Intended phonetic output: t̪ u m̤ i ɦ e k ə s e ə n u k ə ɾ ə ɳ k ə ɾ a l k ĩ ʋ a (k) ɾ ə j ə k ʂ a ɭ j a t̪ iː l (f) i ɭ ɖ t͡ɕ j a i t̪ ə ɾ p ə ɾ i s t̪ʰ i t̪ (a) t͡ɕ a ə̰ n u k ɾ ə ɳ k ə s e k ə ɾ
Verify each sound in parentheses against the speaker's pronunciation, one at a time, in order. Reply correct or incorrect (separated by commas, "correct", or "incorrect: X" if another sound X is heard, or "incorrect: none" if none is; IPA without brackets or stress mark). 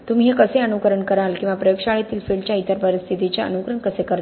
incorrect: p, correct, incorrect: i